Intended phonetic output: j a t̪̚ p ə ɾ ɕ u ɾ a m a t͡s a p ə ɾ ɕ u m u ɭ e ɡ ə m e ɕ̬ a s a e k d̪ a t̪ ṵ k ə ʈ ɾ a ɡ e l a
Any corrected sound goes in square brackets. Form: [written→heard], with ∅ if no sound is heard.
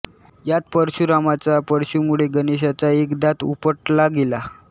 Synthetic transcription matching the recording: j a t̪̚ p ə ɾ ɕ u ɾ a m a t͡s a p ə ɾ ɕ u m u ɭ e ɡ ə [m→n] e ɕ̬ a [s→t͡s] a e k d̪ a t̪ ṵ [k→p] ə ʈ [ɾ→l] a ɡ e l a